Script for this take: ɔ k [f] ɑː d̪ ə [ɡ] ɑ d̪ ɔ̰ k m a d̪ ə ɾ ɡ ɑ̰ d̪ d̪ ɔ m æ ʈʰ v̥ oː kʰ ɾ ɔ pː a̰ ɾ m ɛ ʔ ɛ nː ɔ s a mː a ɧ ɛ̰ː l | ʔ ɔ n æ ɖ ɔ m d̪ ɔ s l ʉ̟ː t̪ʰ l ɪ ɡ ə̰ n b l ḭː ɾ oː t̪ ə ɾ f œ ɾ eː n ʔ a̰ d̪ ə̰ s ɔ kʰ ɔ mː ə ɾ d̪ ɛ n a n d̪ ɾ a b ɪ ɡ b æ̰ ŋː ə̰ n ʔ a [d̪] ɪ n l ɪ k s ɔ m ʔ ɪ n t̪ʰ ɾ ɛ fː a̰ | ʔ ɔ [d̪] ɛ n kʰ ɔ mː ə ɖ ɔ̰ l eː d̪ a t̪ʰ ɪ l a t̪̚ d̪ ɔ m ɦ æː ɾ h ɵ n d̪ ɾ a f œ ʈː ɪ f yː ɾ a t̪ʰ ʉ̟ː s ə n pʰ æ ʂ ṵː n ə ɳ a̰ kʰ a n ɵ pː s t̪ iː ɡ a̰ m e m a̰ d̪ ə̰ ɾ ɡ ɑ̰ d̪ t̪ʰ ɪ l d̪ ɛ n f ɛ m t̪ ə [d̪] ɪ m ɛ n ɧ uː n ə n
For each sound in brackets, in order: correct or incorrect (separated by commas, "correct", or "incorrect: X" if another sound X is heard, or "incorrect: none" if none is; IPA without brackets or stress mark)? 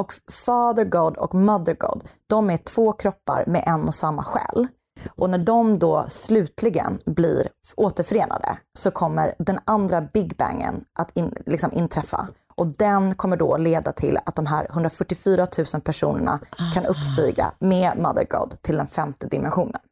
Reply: correct, correct, incorrect: t̪, correct, correct